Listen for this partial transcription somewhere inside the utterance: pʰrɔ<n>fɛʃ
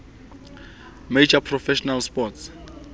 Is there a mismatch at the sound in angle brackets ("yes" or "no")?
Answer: yes